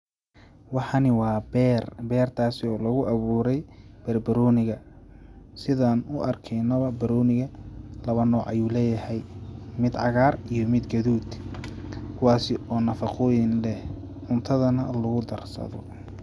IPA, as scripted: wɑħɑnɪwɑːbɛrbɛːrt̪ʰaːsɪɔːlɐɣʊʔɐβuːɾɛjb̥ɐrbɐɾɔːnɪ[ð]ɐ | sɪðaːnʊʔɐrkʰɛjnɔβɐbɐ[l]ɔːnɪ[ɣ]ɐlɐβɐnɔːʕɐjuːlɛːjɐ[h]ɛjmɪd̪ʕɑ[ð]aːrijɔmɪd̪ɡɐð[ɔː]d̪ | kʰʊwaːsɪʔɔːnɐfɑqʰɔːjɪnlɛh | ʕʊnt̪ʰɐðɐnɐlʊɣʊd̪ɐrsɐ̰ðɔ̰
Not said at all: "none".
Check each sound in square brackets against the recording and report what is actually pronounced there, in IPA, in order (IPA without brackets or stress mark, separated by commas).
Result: ɣ, ɾ, ɣ, h, ɣ, uː